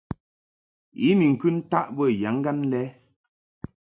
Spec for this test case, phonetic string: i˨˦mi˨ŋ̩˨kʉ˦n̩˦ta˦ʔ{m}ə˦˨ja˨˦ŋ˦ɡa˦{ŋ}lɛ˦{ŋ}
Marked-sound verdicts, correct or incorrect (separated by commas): incorrect, incorrect, incorrect